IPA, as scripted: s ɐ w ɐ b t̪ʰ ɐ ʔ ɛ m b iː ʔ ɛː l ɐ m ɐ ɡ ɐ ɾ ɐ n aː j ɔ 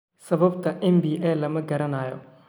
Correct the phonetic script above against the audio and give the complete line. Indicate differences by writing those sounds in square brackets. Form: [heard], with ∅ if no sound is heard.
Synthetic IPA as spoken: s ɐ [β] ɐ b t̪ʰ ɐ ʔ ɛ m b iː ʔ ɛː l ɐ m ɐ ɡ ɐ ɾ ɐ n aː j ɔ